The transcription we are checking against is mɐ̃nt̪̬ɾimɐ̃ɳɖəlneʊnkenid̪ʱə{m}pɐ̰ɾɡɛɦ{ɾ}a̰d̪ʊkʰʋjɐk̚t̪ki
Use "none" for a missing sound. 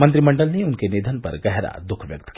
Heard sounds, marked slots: n, ɾ

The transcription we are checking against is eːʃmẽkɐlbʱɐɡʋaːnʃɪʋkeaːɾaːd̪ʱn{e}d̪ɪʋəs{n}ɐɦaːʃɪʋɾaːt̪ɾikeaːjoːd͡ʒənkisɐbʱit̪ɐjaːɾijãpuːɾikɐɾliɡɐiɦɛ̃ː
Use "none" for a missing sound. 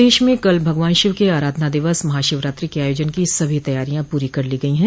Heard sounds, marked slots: a, m

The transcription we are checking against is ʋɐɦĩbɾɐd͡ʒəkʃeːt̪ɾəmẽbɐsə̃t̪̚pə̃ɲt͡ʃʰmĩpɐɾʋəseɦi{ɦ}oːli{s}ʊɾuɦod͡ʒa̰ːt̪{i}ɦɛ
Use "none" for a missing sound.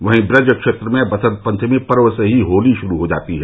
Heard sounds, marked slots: ɦ, ʃ, i

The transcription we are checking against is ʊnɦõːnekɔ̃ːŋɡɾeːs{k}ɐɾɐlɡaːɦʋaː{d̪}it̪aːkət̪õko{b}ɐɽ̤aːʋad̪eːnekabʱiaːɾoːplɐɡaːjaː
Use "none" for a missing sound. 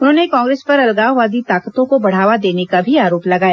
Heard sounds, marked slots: p, d̪, b

